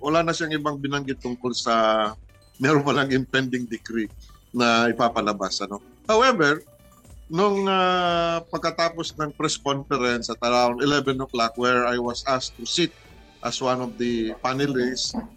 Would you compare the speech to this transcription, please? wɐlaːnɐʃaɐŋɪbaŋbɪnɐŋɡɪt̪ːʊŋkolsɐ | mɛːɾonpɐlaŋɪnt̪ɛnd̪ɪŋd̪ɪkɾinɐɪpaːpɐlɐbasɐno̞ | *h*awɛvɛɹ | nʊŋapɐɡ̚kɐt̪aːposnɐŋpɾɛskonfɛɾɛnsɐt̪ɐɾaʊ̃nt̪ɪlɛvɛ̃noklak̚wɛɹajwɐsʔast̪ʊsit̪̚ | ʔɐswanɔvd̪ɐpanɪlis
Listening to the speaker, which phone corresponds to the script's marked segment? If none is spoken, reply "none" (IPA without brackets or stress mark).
h